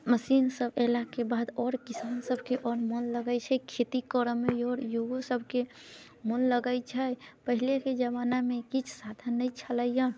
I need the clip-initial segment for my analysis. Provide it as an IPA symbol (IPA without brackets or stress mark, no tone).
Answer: m